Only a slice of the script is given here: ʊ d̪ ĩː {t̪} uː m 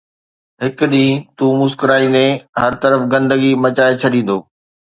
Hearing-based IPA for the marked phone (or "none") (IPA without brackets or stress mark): t̪